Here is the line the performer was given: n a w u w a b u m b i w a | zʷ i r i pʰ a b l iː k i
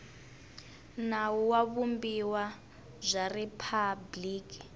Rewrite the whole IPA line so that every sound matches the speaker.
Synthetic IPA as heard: n a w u w a β u m b i w a | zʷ a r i pʰ a b l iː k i